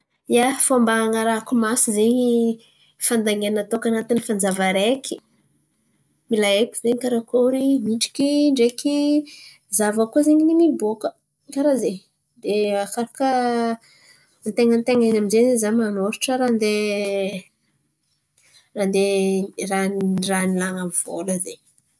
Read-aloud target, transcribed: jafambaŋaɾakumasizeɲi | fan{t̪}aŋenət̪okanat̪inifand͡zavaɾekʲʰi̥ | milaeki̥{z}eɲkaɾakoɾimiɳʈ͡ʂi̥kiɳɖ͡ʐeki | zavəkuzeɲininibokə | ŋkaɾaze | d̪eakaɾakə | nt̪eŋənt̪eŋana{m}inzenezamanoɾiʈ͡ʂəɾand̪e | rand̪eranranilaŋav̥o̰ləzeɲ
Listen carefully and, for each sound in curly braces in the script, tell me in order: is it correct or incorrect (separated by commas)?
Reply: incorrect, correct, correct